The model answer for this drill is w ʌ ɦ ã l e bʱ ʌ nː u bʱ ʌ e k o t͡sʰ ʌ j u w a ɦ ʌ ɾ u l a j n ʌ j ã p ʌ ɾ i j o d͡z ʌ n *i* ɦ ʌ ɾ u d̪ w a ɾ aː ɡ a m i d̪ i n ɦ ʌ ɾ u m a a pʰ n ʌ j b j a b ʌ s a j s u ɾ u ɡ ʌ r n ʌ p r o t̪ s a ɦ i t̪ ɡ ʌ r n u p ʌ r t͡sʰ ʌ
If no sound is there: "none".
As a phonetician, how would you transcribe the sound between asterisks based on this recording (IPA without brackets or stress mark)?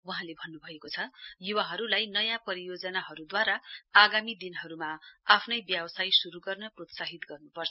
a